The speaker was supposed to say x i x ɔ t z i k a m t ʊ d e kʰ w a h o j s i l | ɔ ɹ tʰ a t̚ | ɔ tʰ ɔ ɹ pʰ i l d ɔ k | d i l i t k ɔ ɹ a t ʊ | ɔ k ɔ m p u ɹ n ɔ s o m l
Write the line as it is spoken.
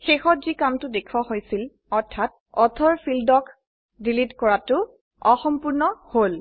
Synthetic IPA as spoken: x e x ɔ t z i k a m t ʊ d e kʰ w a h o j s i l | ɔ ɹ tʰ a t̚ | ɔ tʰ ɔ ɹ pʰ i l d ɔ k | d i l i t k ɔ ɹ a t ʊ | ɔ x ɔ m p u ɹ n ɔ h o l